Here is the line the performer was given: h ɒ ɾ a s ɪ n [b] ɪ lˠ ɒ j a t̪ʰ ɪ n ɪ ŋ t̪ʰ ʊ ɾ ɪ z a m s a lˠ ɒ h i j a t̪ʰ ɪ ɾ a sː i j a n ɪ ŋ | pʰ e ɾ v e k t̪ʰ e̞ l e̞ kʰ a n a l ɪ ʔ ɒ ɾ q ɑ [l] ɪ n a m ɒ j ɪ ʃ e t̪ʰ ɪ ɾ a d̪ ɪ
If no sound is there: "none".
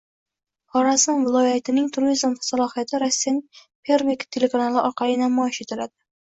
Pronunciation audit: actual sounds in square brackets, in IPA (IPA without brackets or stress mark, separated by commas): v, l